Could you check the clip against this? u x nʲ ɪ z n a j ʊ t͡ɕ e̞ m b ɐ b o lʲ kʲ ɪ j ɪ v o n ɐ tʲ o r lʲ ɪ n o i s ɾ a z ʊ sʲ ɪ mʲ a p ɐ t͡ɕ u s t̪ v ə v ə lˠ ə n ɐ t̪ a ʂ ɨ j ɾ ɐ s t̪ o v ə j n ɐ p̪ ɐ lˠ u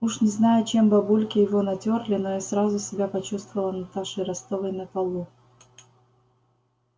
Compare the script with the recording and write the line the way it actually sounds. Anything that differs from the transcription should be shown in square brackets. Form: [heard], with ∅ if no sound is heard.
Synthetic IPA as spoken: u [ʂ] nʲ ɪ z n a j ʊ t͡ɕ e̞ m b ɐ b [u] lʲ kʲ ɪ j ɪ v o n ɐ tʲ o r lʲ ɪ n o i s ɾ a z ʊ sʲ ɪ [bʲ] a p ɐ t͡ɕ u s t̪ v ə v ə lˠ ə n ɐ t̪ a ʂ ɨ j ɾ ɐ s t̪ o v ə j n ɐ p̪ ɐ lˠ u